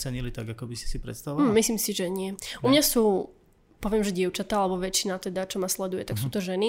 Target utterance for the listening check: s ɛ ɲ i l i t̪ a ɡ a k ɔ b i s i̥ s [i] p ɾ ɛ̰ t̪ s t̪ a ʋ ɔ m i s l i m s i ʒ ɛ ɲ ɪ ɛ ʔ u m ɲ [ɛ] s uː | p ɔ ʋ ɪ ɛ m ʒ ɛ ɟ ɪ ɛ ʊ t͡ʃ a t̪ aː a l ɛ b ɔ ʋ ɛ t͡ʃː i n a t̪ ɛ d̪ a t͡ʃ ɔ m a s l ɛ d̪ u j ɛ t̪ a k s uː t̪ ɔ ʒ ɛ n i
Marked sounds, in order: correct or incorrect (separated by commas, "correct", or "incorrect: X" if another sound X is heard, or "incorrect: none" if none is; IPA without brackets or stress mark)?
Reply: correct, incorrect: a